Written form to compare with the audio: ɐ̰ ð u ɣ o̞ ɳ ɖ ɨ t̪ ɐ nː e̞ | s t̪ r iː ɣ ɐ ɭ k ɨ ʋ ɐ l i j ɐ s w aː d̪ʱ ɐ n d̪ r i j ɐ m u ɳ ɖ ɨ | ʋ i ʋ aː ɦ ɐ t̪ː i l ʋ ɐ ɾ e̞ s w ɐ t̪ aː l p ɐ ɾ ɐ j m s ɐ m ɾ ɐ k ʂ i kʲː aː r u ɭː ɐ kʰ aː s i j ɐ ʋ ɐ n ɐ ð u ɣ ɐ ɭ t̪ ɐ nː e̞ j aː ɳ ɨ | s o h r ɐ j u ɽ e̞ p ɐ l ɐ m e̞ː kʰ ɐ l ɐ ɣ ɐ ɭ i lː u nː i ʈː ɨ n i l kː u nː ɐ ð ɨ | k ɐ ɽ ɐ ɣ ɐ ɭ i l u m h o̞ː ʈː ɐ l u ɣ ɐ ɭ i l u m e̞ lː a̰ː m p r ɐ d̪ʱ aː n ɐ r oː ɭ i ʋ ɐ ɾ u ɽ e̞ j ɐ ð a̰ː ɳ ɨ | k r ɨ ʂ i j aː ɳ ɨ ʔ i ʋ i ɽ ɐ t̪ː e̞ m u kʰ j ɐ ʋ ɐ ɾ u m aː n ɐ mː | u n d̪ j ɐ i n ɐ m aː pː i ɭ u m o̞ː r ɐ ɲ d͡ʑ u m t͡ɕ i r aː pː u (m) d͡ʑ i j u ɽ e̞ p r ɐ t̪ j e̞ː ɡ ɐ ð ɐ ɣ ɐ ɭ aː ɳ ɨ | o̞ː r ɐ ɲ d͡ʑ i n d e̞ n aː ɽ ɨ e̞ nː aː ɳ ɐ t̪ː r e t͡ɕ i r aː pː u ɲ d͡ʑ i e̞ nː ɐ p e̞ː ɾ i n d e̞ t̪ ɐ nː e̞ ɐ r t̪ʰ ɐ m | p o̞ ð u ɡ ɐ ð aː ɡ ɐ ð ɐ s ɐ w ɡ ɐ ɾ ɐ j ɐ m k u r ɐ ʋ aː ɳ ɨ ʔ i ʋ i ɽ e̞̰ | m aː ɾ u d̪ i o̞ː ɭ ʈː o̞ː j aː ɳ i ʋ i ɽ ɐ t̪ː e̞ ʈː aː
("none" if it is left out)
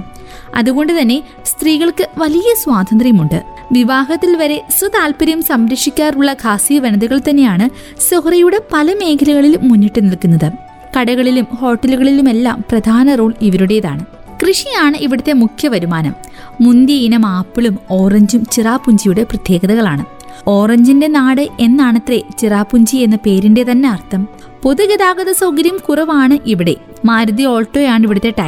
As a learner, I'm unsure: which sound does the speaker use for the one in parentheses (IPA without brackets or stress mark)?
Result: ɲ